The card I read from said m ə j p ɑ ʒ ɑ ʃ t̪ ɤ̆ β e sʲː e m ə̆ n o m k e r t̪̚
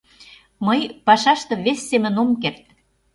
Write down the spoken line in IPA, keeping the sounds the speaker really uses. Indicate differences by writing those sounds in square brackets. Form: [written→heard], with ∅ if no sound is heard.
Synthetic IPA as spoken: m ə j p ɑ [ʒ→ʃ] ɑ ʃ t̪ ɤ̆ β e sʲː e m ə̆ n o m k e r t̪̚